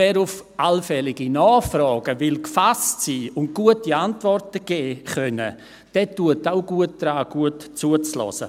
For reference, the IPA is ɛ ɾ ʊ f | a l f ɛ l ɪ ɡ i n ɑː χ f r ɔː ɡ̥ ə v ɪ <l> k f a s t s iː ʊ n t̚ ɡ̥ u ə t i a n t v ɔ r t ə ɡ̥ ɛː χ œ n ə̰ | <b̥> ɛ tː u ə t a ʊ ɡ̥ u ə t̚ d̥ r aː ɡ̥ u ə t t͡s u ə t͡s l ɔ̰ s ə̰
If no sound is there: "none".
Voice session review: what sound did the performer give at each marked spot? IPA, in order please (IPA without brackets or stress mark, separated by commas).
l, d̥